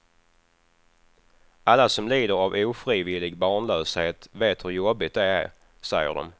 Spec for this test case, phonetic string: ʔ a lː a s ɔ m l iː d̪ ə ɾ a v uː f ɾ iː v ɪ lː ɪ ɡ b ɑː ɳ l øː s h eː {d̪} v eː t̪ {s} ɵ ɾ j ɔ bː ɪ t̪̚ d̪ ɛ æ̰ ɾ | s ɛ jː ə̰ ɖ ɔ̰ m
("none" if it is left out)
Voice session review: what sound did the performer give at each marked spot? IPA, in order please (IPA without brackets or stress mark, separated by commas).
t̪, h